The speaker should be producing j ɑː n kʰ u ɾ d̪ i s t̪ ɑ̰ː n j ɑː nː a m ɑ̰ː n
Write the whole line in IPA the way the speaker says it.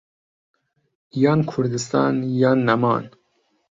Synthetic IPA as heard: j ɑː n kʰ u ɾ d̪ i s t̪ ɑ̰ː n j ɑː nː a m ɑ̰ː n